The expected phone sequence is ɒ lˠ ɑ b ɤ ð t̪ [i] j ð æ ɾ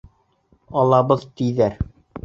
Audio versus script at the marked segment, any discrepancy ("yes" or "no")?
no